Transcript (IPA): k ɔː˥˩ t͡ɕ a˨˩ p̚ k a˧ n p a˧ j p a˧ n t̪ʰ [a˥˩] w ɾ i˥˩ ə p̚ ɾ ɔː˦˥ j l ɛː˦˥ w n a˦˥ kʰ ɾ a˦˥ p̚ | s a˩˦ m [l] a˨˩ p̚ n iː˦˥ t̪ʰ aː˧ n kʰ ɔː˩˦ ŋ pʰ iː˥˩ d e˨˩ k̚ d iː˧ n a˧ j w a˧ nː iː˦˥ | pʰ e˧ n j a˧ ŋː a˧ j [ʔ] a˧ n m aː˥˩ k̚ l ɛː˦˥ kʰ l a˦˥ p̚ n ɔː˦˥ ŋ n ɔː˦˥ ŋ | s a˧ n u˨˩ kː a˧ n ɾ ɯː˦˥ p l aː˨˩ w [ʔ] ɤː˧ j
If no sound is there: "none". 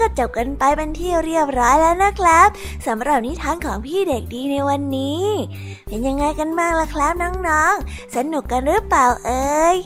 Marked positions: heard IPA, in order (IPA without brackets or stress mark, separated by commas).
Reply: i˥˩, ɾ, k, ʔ